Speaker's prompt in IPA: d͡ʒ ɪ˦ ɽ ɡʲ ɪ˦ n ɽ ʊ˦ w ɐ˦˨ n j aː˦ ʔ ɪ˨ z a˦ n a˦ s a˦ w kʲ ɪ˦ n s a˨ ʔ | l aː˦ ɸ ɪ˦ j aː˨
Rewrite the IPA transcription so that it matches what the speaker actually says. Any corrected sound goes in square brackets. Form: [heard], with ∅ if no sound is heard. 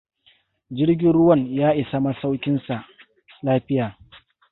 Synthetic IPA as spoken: d͡ʒ ɪ˦ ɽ ɡʲ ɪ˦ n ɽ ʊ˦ w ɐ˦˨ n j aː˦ ʔ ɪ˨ [s] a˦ [m] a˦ s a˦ w kʲ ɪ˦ n s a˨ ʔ | l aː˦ ɸ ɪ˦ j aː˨